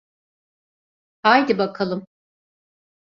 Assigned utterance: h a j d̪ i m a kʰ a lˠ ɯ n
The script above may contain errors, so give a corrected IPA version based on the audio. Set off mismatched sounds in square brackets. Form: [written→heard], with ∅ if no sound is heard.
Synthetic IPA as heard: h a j d̪ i [m→b] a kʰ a lˠ ɯ [n→m]